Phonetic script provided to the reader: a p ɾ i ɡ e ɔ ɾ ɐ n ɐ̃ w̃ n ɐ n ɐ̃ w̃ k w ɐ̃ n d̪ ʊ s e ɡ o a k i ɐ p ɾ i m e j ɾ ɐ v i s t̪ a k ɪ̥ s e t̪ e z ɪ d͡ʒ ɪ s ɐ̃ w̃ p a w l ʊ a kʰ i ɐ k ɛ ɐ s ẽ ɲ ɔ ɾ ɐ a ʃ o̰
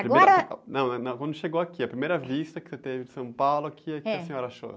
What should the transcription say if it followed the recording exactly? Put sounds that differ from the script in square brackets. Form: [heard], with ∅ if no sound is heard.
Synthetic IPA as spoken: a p ɾ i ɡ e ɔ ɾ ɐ n ɐ̃ w̃ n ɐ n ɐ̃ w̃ k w ɐ̃ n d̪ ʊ [ʃ] e ɡ o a k i ɐ p ɾ i m e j ɾ ɐ v i s t̪ [ɐ] k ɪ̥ s e t̪ e [v] ɪ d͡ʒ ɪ s ɐ̃ w̃ p a w l ʊ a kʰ i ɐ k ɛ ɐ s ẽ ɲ ɔ ɾ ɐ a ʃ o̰